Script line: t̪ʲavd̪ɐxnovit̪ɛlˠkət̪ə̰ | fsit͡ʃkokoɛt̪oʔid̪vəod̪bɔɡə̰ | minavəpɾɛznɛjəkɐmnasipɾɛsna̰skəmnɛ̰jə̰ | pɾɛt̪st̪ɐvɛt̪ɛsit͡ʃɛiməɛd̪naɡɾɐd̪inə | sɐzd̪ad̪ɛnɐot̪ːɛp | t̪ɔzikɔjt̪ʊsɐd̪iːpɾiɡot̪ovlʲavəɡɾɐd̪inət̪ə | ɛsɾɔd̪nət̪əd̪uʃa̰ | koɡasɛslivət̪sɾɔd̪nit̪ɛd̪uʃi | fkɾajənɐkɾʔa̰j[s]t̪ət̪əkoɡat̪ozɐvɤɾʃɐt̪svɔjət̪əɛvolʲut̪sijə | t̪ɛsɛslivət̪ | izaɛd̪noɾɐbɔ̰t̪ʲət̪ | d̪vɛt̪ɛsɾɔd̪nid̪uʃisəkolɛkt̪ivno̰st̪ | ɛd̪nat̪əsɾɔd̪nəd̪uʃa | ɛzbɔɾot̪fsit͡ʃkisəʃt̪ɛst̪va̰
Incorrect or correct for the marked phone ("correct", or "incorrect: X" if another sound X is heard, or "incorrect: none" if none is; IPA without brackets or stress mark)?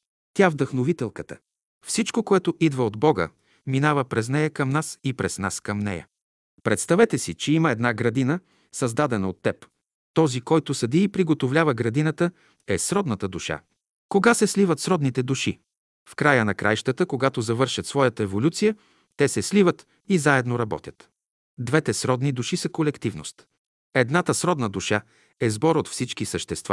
incorrect: ʃ